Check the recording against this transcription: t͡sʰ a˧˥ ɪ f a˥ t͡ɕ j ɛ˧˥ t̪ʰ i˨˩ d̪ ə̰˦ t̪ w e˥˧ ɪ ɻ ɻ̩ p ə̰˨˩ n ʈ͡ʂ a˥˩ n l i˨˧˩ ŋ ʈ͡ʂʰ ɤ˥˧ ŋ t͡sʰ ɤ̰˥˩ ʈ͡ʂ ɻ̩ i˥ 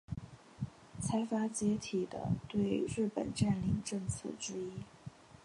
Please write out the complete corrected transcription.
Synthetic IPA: t͡sʰ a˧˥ ɪ f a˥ t͡ɕ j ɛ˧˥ t̪ʰ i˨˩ d̪ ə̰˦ t̪ w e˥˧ ɪ ɻ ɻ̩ p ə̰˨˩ n ʈ͡ʂ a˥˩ n l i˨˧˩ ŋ ʈ͡ʂ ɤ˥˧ ŋ t͡sʰ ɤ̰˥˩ ʈ͡ʂ ɻ̩ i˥